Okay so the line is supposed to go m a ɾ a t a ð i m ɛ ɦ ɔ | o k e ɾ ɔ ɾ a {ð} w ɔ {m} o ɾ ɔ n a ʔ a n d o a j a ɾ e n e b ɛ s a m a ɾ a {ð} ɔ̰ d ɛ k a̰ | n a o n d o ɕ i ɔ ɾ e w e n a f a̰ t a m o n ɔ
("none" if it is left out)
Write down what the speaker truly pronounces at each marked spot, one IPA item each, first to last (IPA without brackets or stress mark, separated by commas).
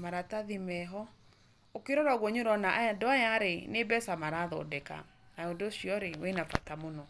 ɣ, ɲ, ð